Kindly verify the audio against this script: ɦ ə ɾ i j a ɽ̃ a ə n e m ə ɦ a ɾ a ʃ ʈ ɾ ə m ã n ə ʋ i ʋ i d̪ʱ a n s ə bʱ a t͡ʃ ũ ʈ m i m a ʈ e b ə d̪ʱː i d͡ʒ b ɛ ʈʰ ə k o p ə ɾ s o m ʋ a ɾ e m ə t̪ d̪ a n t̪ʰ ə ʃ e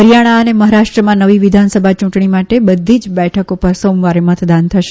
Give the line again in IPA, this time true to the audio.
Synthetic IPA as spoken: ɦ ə ɾ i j a ɽ̃ a ə n e m ə ɦ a ɾ a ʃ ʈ ɾ ə m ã n ə ʋ i ʋ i d̪ʱ a n s ə bʱ a t͡ʃ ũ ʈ ɳ i m a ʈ e b ə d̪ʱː i d͡ʒ b ɛ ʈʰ ə k o p ə ɾ s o m ʋ a ɾ e m ə t̪ d̪ a n t̪ʰ ə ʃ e